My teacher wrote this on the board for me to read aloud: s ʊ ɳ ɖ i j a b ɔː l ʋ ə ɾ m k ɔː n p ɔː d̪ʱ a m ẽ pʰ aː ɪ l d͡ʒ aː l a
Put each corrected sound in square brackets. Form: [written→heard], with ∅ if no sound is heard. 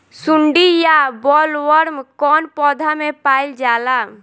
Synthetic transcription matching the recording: s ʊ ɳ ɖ i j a b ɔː l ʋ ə ɾ m k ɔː n p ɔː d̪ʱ a m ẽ [pʰ→p] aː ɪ l d͡ʒ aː l a